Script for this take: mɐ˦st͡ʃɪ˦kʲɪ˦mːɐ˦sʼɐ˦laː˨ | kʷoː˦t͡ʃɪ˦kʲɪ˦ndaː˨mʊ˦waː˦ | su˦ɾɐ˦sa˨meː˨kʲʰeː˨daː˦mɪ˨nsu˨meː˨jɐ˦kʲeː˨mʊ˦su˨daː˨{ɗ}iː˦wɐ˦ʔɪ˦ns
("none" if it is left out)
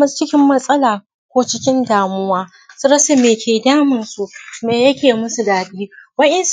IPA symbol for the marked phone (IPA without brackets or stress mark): ɗ